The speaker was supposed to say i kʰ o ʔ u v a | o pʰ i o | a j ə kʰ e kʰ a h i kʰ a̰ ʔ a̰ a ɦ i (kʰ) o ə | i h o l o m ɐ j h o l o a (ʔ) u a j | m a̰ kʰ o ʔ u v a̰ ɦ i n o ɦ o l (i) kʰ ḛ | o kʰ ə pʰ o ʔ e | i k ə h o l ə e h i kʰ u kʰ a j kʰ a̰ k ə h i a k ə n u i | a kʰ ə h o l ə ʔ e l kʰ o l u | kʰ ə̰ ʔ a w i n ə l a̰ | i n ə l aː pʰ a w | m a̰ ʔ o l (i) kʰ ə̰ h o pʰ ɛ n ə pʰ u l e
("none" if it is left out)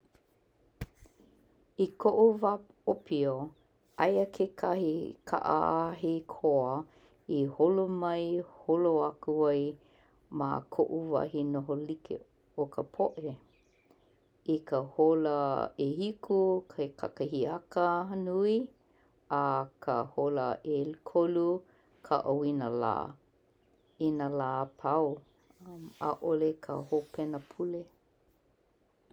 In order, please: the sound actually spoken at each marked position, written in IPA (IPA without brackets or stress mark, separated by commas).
kʰ, k, i, e